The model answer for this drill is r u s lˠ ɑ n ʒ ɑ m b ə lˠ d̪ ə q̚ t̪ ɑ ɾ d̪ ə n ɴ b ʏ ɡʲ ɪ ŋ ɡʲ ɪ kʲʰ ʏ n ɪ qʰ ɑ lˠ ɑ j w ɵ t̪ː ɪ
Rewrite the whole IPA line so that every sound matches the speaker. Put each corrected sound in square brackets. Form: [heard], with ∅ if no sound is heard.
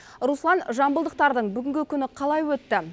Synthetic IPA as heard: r u s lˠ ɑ n ʒ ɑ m b ə lˠ d̪ ə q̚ t̪ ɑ ɾ d̪ ə [∅] ɴ b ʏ ɡʲ ɪ ŋ ɡʲ ɪ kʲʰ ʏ n ɪ qʰ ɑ lˠ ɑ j w ɵ t̪ː ɪ